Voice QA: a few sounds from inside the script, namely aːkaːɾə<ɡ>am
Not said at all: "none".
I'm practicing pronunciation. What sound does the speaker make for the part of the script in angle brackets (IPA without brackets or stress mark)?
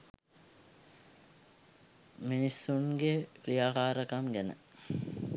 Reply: k